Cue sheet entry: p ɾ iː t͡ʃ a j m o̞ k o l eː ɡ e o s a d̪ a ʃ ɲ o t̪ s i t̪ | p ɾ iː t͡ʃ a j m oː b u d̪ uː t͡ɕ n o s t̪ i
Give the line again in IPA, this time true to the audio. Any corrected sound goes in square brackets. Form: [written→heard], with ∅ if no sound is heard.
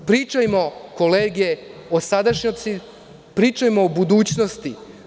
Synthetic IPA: p ɾ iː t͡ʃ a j m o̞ k o l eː ɡ e o s a d̪ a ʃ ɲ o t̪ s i [t̪→∅] | p ɾ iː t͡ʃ a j m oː b u d̪ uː t͡ɕ n o s t̪ i